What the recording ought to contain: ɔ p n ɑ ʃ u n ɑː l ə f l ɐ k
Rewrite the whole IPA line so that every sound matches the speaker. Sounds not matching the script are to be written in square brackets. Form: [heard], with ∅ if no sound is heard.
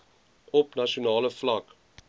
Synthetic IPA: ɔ p n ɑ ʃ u n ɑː l ə f l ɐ k